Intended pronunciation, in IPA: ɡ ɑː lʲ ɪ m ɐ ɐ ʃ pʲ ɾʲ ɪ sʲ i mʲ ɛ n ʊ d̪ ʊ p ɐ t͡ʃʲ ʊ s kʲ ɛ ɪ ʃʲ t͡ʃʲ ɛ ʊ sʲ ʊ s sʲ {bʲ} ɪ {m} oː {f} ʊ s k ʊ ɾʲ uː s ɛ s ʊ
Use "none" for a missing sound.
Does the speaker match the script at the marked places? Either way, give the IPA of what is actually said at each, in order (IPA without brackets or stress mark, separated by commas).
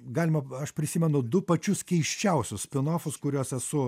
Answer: pʲ, n, f